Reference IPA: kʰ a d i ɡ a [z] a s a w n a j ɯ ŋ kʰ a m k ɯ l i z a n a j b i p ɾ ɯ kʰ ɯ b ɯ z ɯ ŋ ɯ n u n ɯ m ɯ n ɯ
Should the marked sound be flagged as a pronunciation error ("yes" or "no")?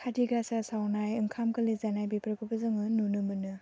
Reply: yes